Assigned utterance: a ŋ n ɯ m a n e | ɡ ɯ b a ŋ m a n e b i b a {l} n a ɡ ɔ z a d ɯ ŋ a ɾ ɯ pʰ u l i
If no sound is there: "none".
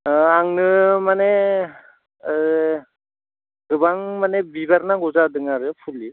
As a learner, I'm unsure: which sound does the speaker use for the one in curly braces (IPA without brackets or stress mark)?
ɾ